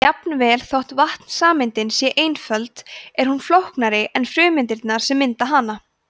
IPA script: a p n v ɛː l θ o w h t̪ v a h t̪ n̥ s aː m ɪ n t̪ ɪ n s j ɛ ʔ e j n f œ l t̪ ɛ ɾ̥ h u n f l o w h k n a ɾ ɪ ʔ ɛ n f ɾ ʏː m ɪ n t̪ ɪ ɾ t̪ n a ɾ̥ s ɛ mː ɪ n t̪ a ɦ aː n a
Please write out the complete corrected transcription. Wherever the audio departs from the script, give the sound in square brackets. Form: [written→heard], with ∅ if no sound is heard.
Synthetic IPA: a p n v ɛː l θ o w h t̪ v a h t̪ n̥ s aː m ɪ n t̪ ɪ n s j ɛ ʔ e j n f œ l t̪ ɛ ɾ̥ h u n f l o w h k n a ɾ ɪ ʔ ɛ n f ɾ ʏː m ɪ n t̪ ɪ ɾ t̪ n a ɾ̥ s ɛ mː ɪ n t̪ a ɦ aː n a